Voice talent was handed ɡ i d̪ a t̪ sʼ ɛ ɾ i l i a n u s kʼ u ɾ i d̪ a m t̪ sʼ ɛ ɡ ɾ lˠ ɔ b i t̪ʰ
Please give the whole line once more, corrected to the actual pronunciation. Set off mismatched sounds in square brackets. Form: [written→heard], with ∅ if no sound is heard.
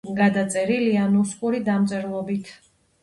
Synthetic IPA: ɡ [i→a] d̪ a t̪ sʼ ɛ ɾ i l i a n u s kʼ u ɾ i d̪ a m t̪ sʼ ɛ [ɡ→∅] ɾ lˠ ɔ b i t̪ʰ